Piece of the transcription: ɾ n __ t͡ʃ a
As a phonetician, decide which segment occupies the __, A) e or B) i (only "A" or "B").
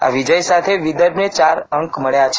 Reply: A